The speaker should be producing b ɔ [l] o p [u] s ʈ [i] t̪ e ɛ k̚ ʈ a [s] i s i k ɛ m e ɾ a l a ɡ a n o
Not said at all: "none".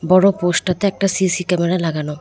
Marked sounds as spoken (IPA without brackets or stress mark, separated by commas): ɽ, o, a, s